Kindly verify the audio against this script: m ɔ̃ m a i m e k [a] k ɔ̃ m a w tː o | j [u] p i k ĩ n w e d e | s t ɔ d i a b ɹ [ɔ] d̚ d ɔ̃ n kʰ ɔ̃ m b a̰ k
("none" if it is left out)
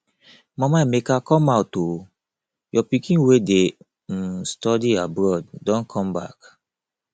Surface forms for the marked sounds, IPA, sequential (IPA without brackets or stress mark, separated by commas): a, ɔ, ɔ